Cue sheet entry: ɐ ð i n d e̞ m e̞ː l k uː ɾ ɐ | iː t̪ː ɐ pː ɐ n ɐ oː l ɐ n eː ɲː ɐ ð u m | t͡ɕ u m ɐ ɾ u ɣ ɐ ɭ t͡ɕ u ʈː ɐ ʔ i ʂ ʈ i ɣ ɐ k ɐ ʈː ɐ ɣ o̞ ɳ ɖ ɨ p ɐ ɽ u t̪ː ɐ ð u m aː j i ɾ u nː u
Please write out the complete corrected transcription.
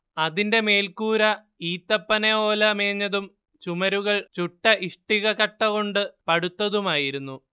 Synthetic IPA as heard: ɐ ð i n d e̞ m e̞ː l k uː ɾ ɐ | iː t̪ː ɐ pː ɐ n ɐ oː l ɐ m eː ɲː ɐ ð u m | t͡ɕ u m ɐ ɾ u ɣ ɐ ɭ t͡ɕ u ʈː ɐ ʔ i ʂ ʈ i ɣ ɐ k ɐ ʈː ɐ ɣ o̞ ɳ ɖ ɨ p ɐ ɽ u t̪ː ɐ ð u m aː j i ɾ u nː u

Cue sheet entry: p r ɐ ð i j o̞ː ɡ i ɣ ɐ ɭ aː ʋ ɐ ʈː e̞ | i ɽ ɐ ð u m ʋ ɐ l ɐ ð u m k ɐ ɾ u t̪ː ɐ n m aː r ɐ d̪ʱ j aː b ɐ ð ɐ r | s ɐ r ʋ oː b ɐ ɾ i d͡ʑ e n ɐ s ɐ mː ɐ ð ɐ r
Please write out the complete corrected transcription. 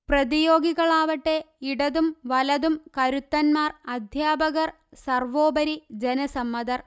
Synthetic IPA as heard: p r ɐ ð i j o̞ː ɡ i ɣ ɐ ɭ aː ʋ ɐ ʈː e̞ | i ɽ ɐ ð u m ʋ ɐ l ɐ ð u m k ɐ ɾ u t̪ː ɐ n m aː r ɐ d̪ʱ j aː b ɐ ɣ ɐ r | s ɐ r ʋ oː b ɐ ɾ i d͡ʑ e n ɐ s ɐ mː ɐ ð ɐ r

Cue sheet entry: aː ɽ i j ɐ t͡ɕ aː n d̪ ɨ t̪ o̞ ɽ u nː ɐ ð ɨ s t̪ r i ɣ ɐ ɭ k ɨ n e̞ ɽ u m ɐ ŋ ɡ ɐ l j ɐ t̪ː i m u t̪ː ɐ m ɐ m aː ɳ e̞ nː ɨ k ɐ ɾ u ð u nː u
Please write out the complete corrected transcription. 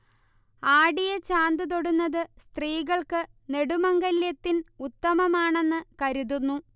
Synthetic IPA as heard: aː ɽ i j ɐ t͡ɕ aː n d̪ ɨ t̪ o̞ ɽ u nː ɐ ð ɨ s t̪ r iː ɣ ɐ ɭ k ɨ n e̞ ɽ u m ɐ ŋ ɡ ɐ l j ɐ t̪ː i n u t̪ː ɐ m ɐ m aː ɳ e̞ nː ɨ k ɐ ɾ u ð u nː u

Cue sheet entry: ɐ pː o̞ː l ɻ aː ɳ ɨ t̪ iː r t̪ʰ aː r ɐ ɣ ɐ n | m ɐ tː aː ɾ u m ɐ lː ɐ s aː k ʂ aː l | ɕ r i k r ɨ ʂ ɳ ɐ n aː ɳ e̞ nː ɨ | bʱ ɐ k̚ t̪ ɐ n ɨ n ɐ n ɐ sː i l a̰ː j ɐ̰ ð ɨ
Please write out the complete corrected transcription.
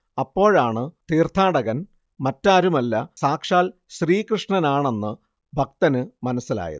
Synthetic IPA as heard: ɐ pː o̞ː ɻ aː ɳ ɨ t̪ iː r t̪ʰ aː ɽ ɐ ɣ ɐ n | m ɐ tː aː ɾ u m ɐ lː ɐ s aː k ʂ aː l | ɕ r iː k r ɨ ʂ ɳ ɐ n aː ɳ e̞ nː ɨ | bʱ ɐ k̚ t̪ ɐ n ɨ m ɐ n ɐ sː i l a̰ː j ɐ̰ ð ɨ

